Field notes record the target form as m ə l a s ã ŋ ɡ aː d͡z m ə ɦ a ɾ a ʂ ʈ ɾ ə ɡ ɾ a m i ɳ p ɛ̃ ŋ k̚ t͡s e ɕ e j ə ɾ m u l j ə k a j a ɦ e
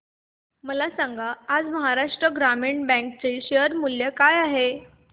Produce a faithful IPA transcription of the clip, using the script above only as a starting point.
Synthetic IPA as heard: m ə l a s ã ŋ ɡ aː d͡z m ə ɦ a ɾ a ʂ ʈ ɾ ə ɡ ɾ a m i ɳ b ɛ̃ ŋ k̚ t͡s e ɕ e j ə ɾ m u l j ə k a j a ɦ e